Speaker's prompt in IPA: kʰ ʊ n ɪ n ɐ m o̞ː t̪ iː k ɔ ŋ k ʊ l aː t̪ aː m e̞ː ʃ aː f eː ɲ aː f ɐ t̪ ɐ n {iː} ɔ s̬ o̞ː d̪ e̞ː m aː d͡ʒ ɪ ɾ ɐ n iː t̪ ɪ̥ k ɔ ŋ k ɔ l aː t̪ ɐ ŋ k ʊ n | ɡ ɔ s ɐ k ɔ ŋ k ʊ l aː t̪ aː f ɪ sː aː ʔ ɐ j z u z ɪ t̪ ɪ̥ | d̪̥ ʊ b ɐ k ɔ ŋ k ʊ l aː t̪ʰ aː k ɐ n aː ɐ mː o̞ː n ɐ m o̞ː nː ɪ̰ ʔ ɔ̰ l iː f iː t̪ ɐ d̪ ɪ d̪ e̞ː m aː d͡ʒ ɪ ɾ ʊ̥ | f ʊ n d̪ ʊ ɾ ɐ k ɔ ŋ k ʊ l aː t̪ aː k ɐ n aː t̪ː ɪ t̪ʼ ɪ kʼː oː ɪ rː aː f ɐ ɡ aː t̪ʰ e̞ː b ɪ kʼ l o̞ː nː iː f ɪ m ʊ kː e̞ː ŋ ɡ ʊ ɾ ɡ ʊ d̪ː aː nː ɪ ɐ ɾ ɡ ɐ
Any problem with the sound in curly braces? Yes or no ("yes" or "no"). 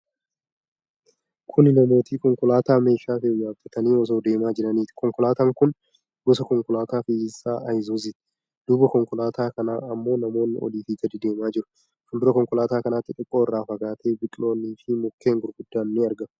no